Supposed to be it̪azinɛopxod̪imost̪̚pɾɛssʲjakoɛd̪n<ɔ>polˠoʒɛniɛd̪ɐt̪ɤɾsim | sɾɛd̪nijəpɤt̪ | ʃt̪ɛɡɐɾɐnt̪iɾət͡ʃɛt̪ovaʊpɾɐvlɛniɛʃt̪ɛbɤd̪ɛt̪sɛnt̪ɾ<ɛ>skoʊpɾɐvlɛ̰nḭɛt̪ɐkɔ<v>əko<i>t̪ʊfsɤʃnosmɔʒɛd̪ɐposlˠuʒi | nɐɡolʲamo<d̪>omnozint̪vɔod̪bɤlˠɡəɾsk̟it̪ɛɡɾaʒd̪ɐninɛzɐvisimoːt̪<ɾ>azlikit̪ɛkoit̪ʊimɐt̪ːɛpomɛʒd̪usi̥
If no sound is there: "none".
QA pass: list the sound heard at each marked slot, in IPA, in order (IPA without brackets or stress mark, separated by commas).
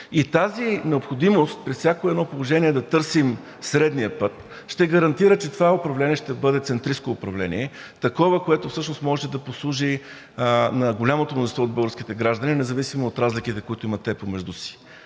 ɔ, i, v, ɛ, t̪, ɾ